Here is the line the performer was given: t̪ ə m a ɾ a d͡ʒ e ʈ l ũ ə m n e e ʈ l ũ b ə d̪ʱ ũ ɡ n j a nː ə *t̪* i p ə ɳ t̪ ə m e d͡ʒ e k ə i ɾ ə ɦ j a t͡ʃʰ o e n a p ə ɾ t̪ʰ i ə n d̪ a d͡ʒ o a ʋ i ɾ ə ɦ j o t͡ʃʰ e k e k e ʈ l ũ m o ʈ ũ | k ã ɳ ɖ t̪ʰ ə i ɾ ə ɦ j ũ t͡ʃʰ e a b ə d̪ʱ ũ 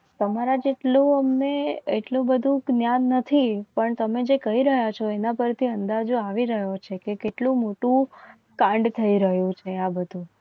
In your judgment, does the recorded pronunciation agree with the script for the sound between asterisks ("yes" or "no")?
no